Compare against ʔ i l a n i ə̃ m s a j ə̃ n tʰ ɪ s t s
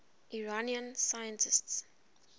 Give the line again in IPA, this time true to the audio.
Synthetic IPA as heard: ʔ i ɹ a n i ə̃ n s a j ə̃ n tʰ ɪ s t s